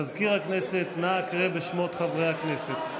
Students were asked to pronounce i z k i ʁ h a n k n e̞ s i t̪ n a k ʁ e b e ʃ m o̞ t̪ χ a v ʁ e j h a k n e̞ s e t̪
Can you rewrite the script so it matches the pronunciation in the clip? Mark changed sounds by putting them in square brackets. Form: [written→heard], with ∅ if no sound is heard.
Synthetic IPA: [i→a] z k i ʁ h a [n→∅] k n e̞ s [i→e] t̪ n a k ʁ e b e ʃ m o̞ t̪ χ a v ʁ e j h a k n e̞ s e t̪